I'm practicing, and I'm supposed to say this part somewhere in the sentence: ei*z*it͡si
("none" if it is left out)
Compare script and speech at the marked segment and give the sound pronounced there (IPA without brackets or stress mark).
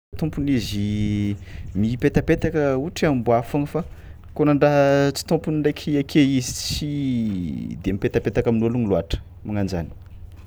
z